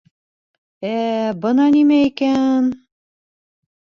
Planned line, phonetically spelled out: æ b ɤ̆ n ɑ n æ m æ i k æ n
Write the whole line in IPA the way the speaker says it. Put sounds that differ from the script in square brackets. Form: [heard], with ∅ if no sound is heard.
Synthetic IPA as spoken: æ b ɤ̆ n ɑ n [i] m æ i k æ n